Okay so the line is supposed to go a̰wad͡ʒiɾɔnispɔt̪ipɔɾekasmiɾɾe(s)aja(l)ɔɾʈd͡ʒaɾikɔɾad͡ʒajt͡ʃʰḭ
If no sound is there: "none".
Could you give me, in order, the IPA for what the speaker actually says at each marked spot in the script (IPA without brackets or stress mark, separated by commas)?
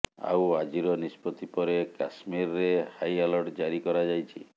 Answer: h, l